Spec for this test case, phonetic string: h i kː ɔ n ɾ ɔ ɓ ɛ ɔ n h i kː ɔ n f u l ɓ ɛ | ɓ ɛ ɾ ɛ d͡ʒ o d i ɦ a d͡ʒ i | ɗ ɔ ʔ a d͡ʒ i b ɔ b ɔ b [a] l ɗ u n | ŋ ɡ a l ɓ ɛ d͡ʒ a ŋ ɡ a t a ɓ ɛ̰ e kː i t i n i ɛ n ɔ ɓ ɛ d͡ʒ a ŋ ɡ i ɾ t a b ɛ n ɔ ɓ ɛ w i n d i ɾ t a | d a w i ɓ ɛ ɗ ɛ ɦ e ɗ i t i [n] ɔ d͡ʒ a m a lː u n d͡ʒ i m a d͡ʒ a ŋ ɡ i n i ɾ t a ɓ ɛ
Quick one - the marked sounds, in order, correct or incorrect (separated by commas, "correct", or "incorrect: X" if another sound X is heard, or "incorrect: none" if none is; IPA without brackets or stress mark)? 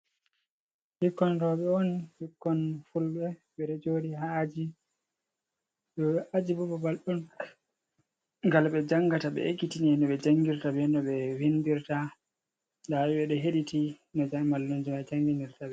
correct, correct